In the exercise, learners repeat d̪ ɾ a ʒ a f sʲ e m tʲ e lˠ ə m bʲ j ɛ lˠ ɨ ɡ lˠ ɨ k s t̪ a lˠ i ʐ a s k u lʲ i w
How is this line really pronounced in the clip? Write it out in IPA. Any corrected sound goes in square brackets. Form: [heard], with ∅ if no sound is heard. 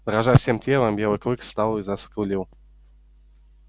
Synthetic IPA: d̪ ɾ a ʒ a f sʲ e m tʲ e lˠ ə m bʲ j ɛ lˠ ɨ [k] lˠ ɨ k s t̪ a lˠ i [z] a s k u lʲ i w

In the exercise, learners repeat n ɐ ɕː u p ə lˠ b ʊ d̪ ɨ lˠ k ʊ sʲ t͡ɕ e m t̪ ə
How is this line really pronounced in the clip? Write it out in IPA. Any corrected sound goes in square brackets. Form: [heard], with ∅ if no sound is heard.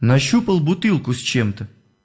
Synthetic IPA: n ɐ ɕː u p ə lˠ b ʊ [t̪] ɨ lˠ k ʊ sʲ t͡ɕ e m t̪ ə

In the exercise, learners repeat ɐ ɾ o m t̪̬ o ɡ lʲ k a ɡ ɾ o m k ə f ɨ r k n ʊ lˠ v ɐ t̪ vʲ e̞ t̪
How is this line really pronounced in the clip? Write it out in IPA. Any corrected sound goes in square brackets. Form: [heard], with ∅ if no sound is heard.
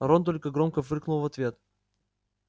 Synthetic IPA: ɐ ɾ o [n] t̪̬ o [∅] lʲ k [ə] ɡ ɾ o m k ə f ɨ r k n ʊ lˠ v ɐ t̪ vʲ e̞ t̪

